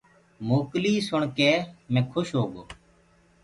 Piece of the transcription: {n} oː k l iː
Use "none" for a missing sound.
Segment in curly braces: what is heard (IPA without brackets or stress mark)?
m